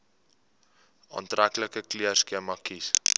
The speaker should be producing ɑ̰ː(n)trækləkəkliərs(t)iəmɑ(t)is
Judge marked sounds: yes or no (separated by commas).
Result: yes, no, no